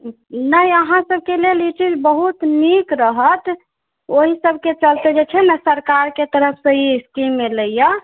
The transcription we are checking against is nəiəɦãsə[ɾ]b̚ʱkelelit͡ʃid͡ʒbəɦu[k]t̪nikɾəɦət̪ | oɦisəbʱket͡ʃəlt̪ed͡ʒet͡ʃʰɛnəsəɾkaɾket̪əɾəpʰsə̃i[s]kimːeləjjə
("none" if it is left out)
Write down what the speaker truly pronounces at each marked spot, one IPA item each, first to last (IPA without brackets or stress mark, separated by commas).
none, none, s